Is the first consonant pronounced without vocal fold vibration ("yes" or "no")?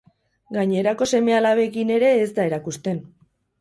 no